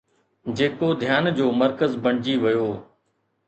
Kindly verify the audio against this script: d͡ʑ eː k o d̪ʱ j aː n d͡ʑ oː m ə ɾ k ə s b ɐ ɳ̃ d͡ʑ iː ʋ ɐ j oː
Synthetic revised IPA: d͡ʑ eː k o d̪ʱ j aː n d͡ʑ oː m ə ɾ k ə z b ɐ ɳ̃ d͡ʑ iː ʋ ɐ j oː